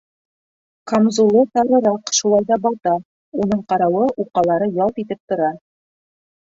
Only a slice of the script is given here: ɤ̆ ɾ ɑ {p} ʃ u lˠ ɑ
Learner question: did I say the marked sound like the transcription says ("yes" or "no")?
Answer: no